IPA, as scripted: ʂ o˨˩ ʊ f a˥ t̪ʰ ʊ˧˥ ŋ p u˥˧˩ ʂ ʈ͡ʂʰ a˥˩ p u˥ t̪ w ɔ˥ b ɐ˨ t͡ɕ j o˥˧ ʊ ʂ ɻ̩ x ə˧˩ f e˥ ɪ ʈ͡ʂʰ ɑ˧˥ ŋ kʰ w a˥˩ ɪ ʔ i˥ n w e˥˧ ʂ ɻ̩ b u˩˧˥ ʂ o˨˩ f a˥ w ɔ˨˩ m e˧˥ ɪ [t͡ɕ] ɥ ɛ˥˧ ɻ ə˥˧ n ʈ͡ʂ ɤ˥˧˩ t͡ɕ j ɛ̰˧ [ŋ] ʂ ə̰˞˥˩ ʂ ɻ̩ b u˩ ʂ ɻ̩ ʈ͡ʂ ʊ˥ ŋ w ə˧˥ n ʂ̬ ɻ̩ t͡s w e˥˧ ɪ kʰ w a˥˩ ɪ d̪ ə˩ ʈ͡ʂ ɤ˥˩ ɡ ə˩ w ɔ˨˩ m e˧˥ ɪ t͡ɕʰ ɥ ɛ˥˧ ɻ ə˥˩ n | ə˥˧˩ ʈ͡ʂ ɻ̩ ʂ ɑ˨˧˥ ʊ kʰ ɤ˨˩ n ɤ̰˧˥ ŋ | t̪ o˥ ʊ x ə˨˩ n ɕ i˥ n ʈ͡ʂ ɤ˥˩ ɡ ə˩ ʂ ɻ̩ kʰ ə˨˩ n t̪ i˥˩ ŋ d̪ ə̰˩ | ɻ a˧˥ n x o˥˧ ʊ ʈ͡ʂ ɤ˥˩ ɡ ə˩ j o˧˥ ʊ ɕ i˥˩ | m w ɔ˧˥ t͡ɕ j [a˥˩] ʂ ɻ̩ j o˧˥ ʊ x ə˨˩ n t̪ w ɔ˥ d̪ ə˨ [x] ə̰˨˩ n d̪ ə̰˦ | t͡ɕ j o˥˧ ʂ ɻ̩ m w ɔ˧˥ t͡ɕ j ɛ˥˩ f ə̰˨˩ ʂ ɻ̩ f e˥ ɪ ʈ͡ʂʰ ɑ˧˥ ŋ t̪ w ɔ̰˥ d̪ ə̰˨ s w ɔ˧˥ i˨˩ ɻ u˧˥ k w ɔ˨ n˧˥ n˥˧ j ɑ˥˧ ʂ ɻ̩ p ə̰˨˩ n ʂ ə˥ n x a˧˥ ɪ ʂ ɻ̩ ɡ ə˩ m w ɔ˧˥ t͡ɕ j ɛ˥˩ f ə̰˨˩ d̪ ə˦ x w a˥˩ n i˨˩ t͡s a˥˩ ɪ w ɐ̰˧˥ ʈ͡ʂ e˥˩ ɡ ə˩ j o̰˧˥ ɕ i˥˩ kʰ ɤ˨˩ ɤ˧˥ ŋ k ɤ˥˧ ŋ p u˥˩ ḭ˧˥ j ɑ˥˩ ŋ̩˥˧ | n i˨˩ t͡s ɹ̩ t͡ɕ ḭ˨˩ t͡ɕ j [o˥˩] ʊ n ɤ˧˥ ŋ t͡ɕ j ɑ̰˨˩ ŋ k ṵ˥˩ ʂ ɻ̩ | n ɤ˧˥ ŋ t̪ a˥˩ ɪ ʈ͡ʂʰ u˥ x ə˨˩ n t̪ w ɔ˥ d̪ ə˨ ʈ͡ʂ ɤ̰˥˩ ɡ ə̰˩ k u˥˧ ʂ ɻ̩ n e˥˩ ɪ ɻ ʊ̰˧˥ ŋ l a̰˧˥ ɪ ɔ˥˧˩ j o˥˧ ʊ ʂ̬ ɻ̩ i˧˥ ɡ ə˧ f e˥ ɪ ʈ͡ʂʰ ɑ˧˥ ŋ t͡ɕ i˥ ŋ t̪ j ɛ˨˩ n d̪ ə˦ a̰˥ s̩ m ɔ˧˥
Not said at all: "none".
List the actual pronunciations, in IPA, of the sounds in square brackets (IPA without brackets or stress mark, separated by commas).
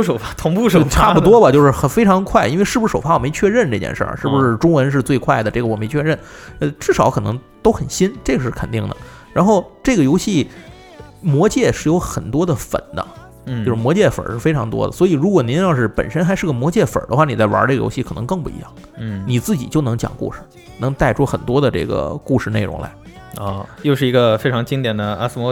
t͡ɕʰ, n, ɛ˥˩, f, o˥˩